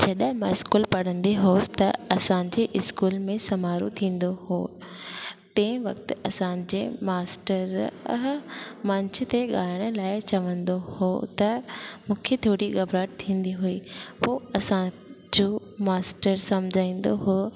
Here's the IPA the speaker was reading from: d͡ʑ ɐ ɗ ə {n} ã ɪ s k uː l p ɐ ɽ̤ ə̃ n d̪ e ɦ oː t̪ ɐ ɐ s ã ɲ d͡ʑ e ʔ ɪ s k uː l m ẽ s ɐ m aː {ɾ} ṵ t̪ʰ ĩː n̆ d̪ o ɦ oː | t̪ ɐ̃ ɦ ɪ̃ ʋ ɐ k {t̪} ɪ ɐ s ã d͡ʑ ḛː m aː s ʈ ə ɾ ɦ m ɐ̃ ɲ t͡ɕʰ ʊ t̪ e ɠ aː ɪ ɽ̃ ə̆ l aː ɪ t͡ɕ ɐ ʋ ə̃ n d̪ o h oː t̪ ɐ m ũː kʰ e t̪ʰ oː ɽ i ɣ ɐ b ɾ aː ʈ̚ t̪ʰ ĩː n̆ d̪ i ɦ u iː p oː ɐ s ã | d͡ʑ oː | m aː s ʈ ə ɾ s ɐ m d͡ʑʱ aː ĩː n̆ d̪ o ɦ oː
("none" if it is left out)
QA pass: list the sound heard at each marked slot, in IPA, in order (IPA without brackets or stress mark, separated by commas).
m, ɾ, t̪